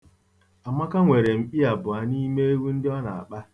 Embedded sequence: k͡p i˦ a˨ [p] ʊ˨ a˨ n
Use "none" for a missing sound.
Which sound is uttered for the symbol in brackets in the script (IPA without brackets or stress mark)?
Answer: b